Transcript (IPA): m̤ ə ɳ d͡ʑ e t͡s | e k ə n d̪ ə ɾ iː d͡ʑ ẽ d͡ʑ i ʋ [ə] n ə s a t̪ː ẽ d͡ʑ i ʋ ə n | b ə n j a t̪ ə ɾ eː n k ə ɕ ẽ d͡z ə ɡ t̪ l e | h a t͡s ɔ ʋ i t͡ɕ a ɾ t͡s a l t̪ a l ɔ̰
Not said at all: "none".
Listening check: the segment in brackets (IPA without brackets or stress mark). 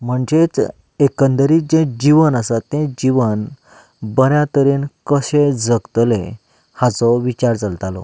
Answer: ə